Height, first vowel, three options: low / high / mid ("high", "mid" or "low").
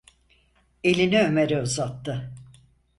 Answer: mid